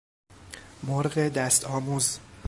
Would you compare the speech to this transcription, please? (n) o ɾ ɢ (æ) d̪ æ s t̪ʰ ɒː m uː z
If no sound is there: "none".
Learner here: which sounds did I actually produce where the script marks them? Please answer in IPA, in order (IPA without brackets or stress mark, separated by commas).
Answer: m, e